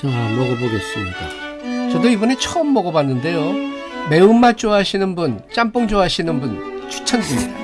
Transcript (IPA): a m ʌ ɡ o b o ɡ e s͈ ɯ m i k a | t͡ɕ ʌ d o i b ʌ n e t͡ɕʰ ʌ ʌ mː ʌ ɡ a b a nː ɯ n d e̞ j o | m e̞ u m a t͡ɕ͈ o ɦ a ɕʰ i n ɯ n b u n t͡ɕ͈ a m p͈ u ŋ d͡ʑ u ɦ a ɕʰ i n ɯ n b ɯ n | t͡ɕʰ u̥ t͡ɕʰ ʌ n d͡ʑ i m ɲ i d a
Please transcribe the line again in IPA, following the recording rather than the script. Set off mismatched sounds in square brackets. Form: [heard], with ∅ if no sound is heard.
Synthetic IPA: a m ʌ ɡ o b o ɡ e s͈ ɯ m i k a | t͡ɕ ʌ d o i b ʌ n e t͡ɕʰ ʌ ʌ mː ʌ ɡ [ʌ] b a nː ɯ n d e̞ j o | m e̞ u m a t͡ɕ͈ o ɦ a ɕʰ i n ɯ n b u n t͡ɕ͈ a m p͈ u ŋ d͡ʑ [o] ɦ a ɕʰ i n ɯ n b [u] n | t͡ɕʰ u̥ t͡ɕʰ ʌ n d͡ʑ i m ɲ i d a

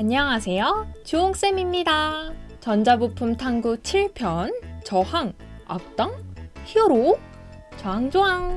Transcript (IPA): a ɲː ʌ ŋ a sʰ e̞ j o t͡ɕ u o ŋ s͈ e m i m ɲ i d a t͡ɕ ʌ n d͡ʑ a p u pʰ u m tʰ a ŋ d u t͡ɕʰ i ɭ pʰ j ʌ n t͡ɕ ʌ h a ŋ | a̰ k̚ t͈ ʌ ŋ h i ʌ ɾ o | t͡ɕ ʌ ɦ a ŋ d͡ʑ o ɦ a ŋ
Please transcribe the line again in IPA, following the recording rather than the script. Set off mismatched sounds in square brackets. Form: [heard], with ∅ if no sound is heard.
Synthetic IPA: a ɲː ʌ ŋ a sʰ e̞ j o t͡ɕ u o ŋ s͈ e m i m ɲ i d a t͡ɕ ʌ n d͡ʑ a [b] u pʰ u m tʰ a ŋ [ɡ] u t͡ɕʰ i ɭ pʰ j ʌ n t͡ɕ ʌ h a ŋ | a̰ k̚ t͈ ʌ ŋ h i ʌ ɾ o | t͡ɕ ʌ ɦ a ŋ d͡ʑ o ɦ a ŋ

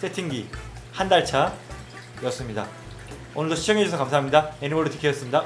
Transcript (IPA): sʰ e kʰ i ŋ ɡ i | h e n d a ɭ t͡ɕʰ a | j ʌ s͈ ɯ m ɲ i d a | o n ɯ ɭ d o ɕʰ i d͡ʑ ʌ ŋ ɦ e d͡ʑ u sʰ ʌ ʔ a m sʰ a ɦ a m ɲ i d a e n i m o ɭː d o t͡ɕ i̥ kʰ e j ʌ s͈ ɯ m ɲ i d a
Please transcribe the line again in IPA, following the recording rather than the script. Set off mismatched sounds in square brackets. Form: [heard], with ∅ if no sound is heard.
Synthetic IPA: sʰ e [tʰ] i ŋ ɡ i | h [a] n d a ɭ t͡ɕʰ a | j ʌ s͈ ɯ m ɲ i d a | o n ɯ ɭ d o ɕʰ i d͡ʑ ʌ ŋ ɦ e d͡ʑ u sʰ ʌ [k] a m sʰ a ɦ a m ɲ i d a e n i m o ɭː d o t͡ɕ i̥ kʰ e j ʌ s͈ ɯ m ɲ i d a

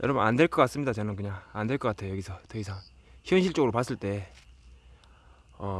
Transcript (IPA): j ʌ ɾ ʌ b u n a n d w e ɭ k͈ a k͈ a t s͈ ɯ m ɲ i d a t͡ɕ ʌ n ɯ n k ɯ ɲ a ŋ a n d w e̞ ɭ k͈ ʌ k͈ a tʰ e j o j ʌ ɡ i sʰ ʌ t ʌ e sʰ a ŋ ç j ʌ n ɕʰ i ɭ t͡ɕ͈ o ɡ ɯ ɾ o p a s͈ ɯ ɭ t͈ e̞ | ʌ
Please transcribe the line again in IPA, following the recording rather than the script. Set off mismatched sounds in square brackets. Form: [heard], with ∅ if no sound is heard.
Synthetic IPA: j ʌ ɾ ʌ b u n a n d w e ɭ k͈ [ʌ] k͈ a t s͈ ɯ m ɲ i d a t͡ɕ ʌ n ɯ n k ɯ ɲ a ŋ a n d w e̞ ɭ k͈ ʌ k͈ a tʰ e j o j ʌ ɡ i sʰ ʌ t ʌ [i] sʰ a ŋ ç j ʌ n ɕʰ i ɭ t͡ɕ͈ o ɡ ɯ ɾ o p a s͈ ɯ ɭ t͈ e̞ | ʌ

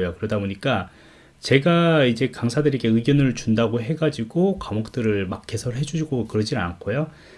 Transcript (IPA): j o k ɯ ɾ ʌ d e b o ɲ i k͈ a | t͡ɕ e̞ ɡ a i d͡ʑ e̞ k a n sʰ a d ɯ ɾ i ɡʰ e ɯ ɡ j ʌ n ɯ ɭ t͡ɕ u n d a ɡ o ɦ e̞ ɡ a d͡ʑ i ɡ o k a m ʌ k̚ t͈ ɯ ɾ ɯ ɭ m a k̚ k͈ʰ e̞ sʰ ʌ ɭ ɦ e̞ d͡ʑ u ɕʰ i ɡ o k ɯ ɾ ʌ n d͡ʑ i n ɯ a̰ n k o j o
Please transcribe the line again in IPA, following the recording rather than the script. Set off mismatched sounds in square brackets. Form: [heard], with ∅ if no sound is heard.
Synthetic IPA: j o k ɯ ɾ ʌ d [a] b o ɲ i k͈ a | t͡ɕ e̞ ɡ a i d͡ʑ e̞ k a [ŋ] sʰ a d ɯ ɾ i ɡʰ e ɯ ɡ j ʌ n ɯ ɭ t͡ɕ u n d a ɡ o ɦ e̞ ɡ a d͡ʑ i ɡ o k a m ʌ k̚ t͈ ɯ ɾ ɯ ɭ m a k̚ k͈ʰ e̞ sʰ ʌ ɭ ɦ e̞ d͡ʑ u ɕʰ i ɡ o k ɯ ɾ ʌ [∅] d͡ʑ i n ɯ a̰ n [kʰ] o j o

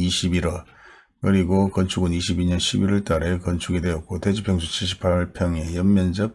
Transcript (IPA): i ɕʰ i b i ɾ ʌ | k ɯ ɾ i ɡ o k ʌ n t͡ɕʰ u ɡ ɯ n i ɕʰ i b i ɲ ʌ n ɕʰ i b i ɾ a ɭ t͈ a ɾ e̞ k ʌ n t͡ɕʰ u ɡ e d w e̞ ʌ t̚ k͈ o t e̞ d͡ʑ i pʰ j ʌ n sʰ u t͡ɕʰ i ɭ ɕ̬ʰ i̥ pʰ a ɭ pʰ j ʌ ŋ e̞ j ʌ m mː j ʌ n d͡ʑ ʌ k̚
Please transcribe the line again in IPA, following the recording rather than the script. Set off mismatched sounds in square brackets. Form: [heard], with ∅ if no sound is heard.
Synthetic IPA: i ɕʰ i b i ɾ ʌ | k ɯ ɾ i ɡ o k ʌ n t͡ɕʰ u ɡ ɯ n i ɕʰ i b i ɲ ʌ n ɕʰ i b i ɾ [ʌ] ɭ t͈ a ɾ e̞ k ʌ n t͡ɕʰ u ɡ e d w e̞ ʌ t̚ k͈ o t e̞ d͡ʑ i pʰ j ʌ [ŋ] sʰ u t͡ɕʰ i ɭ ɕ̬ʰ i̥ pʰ a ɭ pʰ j ʌ ŋ e̞ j ʌ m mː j ʌ n d͡ʑ ʌ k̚

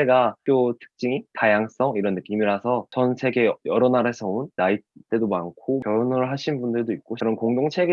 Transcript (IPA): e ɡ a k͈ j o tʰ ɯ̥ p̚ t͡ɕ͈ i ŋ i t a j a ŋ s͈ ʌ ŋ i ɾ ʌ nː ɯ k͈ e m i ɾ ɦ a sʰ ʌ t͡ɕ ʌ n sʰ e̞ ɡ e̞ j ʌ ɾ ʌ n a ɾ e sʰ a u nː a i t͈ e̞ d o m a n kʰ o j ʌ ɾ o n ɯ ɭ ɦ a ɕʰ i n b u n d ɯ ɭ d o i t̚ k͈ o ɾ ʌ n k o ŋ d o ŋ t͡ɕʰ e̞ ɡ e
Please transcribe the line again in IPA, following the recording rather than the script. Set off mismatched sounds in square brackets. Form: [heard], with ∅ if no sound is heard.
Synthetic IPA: e ɡ a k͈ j o tʰ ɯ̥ [k̚] t͡ɕ͈ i ŋ i t a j a ŋ s͈ ʌ ŋ i ɾ ʌ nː ɯ k͈ [i] m i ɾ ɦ a sʰ ʌ t͡ɕ ʌ n sʰ e̞ ɡ e̞ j ʌ ɾ ʌ n a ɾ e sʰ [ʌ] u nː a i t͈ e̞ d o m a n kʰ o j ʌ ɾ o n ɯ ɭ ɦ a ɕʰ i n b u n d ɯ ɭ d o i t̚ k͈ o ɾ ʌ n k o ŋ d o ŋ t͡ɕʰ e̞ ɡ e

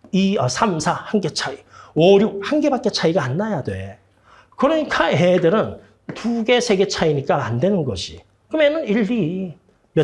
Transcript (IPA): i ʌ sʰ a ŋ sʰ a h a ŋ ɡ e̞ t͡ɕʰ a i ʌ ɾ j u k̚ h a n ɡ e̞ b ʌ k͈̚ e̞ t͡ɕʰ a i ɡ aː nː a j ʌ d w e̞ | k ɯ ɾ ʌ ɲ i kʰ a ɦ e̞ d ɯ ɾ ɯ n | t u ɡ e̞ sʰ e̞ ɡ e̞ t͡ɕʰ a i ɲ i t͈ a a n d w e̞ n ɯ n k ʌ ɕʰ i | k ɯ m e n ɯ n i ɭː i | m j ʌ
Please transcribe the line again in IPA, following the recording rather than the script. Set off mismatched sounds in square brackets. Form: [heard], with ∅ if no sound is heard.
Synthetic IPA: i ʌ sʰ a [m] sʰ a h a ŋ ɡ e̞ t͡ɕʰ a i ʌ ɾ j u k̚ h a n ɡ e̞ b [a] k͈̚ e̞ t͡ɕʰ a i ɡ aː nː a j [a] d w e̞ | k ɯ ɾ ʌ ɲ i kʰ a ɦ e̞ d ɯ ɾ ɯ n | t u ɡ e̞ sʰ e̞ ɡ e̞ t͡ɕʰ a i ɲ i [k͈] a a n d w e̞ n ɯ n [ɡ] ʌ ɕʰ i | k ɯ m e n ɯ n i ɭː i | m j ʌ

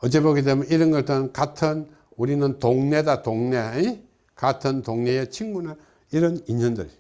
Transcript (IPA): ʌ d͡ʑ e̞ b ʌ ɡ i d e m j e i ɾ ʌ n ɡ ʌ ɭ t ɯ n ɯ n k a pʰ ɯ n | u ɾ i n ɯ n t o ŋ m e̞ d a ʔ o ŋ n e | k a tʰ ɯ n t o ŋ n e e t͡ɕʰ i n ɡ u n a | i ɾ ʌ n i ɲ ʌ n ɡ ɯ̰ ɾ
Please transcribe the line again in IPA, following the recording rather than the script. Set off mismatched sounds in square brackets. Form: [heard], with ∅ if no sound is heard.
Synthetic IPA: ʌ d͡ʑ e̞ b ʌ ɡ i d e m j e i ɾ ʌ n ɡ ʌ ɭ t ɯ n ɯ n k a [tʰ] ɯ n | u ɾ i n ɯ n t o ŋ [n] e̞ d a [t] o ŋ n e | k a tʰ ɯ n t o ŋ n e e t͡ɕʰ i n ɡ u n a | i ɾ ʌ n i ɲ ʌ n [d] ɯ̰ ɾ

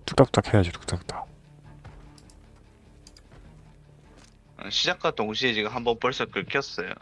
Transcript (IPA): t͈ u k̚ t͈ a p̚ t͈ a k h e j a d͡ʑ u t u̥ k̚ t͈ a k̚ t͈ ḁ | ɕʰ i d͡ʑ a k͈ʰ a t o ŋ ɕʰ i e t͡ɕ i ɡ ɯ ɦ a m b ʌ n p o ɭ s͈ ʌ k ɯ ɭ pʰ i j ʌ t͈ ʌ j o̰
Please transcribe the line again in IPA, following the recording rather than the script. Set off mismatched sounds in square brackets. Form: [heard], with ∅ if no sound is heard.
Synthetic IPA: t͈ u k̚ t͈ a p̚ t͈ a k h e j a d͡ʑ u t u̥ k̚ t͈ a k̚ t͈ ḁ | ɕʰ i d͡ʑ a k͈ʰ a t o ŋ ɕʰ i e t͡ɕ i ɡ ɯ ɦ a m b ʌ n p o ɭ s͈ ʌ k ɯ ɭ [kʰ] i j ʌ [s͈] ʌ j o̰

